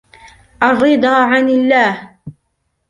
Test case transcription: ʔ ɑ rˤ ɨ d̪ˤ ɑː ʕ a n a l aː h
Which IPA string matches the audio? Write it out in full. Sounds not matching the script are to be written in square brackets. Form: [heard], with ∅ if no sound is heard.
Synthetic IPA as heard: ʔ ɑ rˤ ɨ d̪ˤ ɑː ʕ a n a [lː] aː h